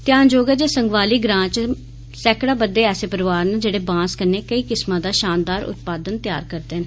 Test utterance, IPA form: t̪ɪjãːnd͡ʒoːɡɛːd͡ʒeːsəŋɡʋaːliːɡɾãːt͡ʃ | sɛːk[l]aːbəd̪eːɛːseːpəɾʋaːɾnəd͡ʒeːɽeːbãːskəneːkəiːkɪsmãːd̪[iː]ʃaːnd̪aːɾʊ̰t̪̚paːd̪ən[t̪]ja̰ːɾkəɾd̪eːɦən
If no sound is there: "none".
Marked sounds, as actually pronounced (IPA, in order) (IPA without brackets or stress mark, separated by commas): ɽ, aː, t̪